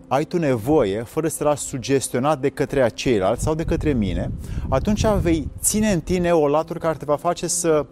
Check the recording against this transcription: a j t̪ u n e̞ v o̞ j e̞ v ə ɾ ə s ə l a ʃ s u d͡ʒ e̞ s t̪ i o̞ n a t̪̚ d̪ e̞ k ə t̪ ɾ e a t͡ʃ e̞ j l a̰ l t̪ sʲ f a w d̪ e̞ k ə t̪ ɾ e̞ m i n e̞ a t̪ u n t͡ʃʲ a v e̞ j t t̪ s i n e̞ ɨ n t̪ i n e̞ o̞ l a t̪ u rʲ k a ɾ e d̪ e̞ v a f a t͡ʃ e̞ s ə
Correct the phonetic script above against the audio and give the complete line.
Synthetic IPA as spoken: a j t̪ u n e̞ v o̞ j e̞ f ə ɾ ə s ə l a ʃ s u d͡ʒ e̞ s t̪ i o̞ n a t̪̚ d̪ e̞ k ə t̪ ɾ e a t͡ʃ e̞ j l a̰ l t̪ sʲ s a w d̪ e̞ k ə t̪ ɾ e̞ m i n e̞ a t̪ u n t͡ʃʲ a v e̞ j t t̪ s i n e̞ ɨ n t̪ i n e̞ o̞ l a t̪ u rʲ k a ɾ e t̪ e̞ v a f a t͡ʃ e̞ s ə